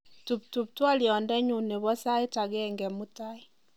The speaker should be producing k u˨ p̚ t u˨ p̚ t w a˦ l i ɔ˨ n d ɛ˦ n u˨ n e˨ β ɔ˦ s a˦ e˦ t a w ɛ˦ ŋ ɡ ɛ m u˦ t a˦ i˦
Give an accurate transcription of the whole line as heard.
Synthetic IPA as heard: t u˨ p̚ t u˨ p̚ t w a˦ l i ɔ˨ n d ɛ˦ ɲ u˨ n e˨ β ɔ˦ s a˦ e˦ t a ɣ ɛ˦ ŋ ɡ ɛ m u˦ t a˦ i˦